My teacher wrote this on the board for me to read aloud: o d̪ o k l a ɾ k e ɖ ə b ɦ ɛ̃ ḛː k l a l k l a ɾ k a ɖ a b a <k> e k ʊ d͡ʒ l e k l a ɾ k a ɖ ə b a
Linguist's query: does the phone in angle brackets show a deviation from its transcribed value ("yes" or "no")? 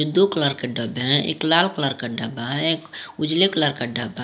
yes